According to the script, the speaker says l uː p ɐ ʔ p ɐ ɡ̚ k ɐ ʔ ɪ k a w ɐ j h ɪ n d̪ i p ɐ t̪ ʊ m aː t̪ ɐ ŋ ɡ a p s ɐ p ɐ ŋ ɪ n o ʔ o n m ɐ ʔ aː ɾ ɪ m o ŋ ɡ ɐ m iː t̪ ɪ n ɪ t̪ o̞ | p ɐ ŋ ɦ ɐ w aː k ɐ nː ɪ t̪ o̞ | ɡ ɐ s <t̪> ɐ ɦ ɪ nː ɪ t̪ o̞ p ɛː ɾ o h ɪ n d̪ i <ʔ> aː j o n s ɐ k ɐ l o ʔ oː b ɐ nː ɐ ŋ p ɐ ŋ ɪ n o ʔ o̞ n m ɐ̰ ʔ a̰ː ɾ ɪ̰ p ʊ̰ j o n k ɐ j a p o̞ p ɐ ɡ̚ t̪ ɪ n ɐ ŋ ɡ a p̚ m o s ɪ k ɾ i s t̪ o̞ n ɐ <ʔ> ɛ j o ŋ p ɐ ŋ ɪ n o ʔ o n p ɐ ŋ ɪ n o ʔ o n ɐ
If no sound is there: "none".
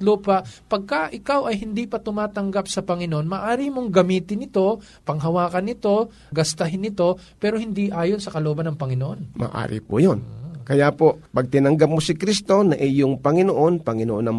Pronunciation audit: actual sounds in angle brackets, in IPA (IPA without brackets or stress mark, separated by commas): t̪, ʔ, ʔ